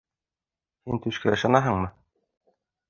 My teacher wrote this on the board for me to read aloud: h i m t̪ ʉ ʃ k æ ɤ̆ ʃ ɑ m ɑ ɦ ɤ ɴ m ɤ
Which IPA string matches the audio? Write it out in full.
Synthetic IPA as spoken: h i n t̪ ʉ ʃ k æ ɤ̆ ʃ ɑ n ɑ ɦ ɤ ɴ m ɤ